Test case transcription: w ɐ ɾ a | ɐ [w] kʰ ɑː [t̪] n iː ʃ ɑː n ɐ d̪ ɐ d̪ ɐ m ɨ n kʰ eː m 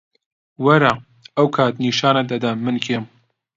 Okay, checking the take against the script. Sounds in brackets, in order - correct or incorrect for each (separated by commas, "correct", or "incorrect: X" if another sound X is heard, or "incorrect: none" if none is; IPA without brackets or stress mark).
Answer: correct, correct